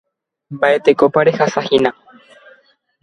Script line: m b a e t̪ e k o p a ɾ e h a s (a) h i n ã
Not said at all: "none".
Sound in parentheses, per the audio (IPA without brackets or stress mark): a